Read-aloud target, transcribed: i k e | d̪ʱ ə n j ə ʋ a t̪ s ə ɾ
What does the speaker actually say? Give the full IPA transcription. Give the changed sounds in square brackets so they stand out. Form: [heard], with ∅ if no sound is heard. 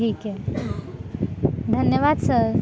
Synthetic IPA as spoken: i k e | d̪ʱ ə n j ə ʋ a [d̪] s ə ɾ